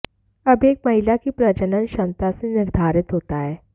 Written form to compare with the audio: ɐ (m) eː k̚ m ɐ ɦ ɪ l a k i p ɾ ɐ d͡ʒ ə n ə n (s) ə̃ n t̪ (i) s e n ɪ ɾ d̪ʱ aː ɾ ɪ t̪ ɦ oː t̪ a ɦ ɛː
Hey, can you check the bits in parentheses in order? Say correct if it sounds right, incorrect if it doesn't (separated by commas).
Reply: incorrect, incorrect, incorrect